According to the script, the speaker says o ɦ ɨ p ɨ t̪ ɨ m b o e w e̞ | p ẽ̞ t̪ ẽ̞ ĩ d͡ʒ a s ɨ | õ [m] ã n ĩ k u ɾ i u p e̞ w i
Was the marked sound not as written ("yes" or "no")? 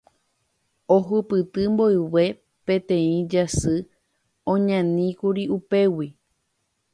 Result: yes